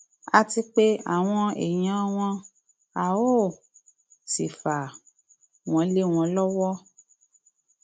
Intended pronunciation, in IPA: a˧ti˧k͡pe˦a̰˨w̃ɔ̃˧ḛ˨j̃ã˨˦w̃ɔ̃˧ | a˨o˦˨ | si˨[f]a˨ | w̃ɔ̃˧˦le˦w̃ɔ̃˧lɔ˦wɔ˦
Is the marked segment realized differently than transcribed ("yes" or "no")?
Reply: no